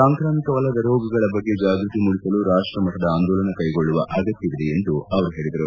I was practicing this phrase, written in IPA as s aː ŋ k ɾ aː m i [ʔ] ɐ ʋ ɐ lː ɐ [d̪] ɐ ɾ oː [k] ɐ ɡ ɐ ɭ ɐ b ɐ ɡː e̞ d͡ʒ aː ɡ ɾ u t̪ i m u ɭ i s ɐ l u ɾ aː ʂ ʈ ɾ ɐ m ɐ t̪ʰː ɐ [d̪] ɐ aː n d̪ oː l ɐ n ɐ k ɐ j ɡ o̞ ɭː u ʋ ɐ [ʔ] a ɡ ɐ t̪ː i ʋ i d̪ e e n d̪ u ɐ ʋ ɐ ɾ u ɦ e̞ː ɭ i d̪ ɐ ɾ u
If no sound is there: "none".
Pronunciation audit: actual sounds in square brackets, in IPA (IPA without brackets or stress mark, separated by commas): k, d̪, ɡ, d̪, ʔ